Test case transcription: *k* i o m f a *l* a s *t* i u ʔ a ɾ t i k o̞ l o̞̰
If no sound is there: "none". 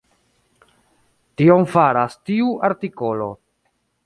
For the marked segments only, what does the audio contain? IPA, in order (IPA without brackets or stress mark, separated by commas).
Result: t, ɾ, t